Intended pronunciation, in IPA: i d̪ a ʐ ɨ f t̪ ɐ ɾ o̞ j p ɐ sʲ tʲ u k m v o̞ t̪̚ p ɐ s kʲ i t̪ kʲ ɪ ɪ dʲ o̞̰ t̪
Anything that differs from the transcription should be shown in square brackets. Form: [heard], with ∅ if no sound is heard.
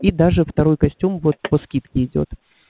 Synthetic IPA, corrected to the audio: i d̪ a ʐ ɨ f t̪ ɐ ɾ o̞ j [k] ɐ sʲ tʲ u [∅] m v o̞ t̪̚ p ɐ s kʲ i t̪ kʲ ɪ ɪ dʲ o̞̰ t̪